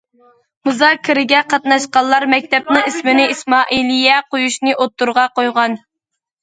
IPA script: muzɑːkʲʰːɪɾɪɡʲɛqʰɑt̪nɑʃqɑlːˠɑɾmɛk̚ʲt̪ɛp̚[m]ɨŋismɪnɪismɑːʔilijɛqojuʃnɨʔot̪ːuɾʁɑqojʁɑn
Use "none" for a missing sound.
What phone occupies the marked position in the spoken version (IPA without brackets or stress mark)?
n